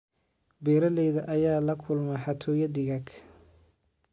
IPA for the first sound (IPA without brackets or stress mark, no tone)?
b